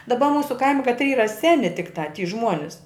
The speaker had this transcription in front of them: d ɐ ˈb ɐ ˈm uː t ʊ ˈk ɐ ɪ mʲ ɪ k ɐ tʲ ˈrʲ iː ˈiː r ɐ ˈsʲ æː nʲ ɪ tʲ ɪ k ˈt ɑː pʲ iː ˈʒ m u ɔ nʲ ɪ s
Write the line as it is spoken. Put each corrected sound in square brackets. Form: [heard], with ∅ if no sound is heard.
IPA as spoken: d ɐ ˈb ɐ ˈm uː [s] ʊ ˈk ɐ ɪ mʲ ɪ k ɐ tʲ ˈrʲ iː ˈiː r ɐ ˈsʲ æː nʲ ɪ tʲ ɪ k ˈt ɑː [tʲ] iː ˈʒ m u ɔ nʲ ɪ s